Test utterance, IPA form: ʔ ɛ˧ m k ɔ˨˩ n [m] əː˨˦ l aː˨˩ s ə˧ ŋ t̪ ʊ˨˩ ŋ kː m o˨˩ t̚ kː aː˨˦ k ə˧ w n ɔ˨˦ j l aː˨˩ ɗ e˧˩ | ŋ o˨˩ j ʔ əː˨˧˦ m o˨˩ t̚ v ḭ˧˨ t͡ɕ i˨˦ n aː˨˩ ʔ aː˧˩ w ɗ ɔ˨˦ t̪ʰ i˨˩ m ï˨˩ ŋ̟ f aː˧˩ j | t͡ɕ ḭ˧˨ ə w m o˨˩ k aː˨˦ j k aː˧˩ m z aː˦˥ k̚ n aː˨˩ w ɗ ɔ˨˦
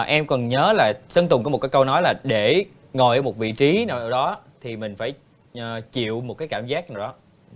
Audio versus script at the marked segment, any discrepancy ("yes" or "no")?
yes